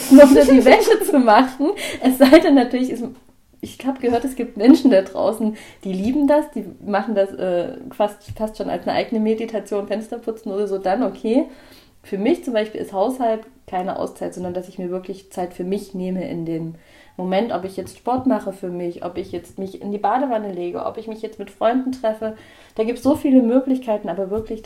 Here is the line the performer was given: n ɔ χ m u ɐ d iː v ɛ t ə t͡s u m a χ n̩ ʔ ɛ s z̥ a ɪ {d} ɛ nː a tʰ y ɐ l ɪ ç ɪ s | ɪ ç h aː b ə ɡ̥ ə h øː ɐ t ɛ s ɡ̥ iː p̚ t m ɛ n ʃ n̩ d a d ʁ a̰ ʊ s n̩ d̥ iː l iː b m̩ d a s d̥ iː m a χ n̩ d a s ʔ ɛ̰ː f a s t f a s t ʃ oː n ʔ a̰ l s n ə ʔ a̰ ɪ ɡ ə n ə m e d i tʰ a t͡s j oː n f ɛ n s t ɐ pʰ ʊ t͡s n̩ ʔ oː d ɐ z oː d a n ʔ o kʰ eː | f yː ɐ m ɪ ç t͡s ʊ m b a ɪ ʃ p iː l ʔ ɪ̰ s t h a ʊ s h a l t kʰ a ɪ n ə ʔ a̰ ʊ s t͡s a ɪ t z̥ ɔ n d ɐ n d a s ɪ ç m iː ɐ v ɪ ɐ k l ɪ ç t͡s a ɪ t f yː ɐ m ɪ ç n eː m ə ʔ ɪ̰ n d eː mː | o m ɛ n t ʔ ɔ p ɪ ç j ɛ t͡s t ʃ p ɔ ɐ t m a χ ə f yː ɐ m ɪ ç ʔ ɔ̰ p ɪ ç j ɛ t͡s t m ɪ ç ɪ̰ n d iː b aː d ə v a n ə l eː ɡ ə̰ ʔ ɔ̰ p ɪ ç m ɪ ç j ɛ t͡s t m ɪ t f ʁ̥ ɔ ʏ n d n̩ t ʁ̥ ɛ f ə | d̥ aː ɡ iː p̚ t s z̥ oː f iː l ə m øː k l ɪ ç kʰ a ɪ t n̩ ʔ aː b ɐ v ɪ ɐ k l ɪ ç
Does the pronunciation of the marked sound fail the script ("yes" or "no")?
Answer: no